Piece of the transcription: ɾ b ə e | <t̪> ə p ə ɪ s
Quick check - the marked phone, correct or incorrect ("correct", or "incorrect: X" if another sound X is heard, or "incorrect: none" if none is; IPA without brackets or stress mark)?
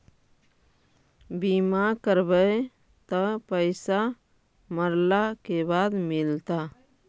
correct